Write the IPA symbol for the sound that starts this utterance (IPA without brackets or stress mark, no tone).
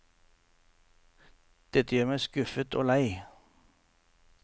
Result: d̪̥